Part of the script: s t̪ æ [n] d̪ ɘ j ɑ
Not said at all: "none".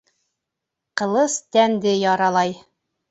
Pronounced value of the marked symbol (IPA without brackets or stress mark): n